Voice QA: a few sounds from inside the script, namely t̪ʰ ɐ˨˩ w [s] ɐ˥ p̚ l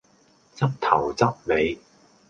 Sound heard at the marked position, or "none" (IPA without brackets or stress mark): t͡s